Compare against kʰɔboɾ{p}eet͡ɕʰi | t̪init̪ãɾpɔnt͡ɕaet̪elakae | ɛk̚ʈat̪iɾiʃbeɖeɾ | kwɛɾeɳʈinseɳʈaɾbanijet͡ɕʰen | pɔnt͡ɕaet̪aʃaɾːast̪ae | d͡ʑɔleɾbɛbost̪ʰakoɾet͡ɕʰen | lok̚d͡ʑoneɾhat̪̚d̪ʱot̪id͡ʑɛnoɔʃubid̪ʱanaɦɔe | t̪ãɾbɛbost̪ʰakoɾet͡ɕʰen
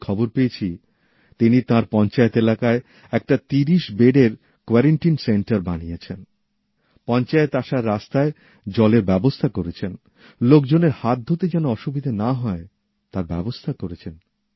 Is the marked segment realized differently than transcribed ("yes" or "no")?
no